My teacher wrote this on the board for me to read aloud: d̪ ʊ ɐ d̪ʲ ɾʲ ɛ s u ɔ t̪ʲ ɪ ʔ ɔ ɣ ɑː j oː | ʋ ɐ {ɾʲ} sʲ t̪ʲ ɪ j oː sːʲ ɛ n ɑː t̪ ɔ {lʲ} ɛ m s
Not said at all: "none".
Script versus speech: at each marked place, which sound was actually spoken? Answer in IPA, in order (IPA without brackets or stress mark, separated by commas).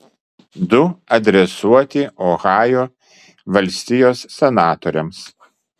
lʲ, ɾʲ